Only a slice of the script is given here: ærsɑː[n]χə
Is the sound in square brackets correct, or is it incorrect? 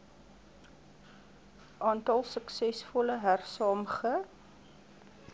incorrect